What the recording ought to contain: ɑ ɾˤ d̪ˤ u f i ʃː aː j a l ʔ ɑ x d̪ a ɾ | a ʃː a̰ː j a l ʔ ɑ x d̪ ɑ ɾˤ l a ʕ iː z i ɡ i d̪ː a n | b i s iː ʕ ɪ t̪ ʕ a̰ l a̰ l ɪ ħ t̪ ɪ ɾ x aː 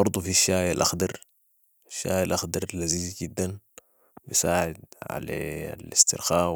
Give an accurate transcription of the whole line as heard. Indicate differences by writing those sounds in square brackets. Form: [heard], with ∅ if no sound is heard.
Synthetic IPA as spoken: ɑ ɾˤ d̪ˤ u f i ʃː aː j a l ʔ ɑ x d̪ [ɑ] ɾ | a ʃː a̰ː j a l ʔ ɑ x d̪ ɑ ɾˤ l a [z] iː z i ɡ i d̪ː a n | b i s [aː] ʕ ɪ [d̪] ʕ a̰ l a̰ l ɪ [s] t̪ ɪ ɾ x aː